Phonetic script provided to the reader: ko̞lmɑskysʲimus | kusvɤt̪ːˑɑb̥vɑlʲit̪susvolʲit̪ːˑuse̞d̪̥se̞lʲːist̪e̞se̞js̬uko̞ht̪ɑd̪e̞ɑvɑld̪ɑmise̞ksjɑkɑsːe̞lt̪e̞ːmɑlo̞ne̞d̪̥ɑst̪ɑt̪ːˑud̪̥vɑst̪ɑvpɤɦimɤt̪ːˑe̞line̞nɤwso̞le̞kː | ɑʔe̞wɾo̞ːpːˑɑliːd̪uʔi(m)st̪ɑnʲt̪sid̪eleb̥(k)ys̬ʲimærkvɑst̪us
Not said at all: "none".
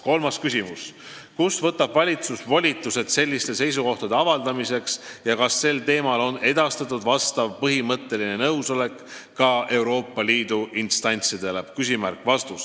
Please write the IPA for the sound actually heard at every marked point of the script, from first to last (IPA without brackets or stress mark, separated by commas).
n, k